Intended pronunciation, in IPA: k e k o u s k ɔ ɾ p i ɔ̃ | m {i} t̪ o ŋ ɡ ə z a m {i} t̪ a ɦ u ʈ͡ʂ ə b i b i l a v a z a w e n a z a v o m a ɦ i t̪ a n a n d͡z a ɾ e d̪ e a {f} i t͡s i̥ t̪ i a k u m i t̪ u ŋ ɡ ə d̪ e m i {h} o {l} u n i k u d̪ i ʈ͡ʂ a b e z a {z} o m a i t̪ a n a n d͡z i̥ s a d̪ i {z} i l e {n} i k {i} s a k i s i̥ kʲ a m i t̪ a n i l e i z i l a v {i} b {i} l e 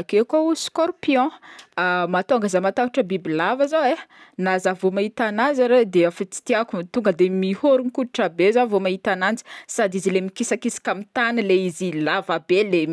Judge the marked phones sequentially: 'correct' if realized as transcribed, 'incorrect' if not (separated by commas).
incorrect, incorrect, correct, correct, incorrect, incorrect, correct, incorrect, correct, incorrect, incorrect